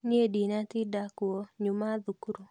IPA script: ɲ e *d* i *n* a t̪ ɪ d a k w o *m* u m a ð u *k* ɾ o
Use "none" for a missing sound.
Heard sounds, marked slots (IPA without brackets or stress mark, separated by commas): d, n, ɲ, k